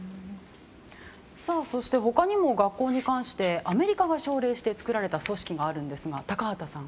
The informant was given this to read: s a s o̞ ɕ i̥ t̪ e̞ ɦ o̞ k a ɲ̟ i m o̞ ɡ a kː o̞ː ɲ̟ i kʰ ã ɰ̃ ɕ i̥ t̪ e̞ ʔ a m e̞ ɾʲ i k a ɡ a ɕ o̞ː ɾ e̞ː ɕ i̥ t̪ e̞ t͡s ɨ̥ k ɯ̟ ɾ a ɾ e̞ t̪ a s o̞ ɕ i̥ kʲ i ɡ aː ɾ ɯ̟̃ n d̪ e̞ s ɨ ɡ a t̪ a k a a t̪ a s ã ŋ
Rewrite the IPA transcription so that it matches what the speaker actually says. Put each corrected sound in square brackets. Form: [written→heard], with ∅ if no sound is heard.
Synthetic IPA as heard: s a s o̞ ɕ i̥ t̪ e̞ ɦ o̞ k a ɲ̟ i m o̞ ɡ a kː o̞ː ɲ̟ i [kʰ→k] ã ɰ̃ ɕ i̥ t̪ e̞ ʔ a m e̞ ɾʲ i k a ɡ a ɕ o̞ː ɾ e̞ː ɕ i̥ t̪ e̞ t͡s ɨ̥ k ɯ̟ ɾ a ɾ e̞ t̪ a s o̞ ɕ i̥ kʲ i ɡ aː ɾ ɯ̟̃ n d̪ e̞ s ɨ ɡ a t̪ a k a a t̪ a s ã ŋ